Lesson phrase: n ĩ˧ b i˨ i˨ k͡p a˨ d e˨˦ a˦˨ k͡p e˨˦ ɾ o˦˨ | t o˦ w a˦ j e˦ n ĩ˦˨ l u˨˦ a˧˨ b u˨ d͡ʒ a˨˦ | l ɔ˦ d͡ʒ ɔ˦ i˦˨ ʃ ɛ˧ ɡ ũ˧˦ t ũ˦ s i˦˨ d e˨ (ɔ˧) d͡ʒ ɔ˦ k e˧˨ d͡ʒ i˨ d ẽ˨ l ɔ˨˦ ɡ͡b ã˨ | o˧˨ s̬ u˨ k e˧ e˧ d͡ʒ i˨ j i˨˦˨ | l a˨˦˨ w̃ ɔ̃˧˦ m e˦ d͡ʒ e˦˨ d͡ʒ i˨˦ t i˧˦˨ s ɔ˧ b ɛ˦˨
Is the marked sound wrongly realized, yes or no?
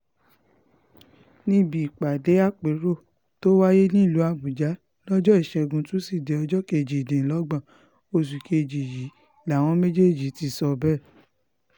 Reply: no